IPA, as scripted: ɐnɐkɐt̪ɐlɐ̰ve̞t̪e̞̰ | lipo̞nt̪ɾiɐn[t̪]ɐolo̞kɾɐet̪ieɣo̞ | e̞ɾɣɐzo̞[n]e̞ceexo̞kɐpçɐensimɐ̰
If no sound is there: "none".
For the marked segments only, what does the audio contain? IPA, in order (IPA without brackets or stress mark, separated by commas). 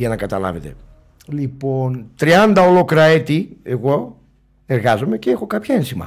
d̪, m